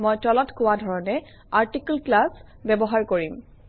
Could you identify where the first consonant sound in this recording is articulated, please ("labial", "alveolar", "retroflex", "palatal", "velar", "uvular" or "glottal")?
labial